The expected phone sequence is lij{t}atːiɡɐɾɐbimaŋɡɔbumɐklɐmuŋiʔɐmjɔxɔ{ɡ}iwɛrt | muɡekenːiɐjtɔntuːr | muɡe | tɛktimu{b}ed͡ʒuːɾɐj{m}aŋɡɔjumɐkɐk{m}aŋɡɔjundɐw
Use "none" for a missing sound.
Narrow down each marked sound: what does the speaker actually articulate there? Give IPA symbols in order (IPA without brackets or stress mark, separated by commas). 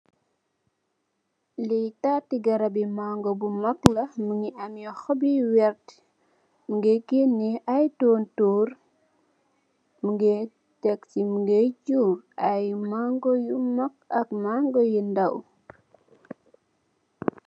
t, b, ɡ, m, m